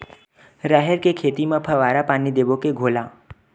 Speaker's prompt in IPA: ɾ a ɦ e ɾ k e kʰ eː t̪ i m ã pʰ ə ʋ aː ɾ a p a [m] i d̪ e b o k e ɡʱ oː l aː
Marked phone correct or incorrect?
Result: incorrect